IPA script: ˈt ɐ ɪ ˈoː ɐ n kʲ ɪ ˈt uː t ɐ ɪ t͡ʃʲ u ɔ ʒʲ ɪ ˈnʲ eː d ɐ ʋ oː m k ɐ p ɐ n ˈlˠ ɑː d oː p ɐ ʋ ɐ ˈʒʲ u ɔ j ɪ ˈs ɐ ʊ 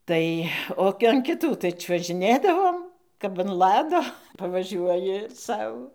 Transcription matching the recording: ˈt ɐ ɪ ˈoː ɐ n kʲ ɪ ˈt uː t ɐ ɪ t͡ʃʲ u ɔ ʒʲ ɪ ˈnʲ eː d ɐ ʋ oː m k ɐ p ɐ n ˈlˠ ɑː d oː p ɐ ʋ ɐ ˈʒʲ u ɔ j ɪ ˈs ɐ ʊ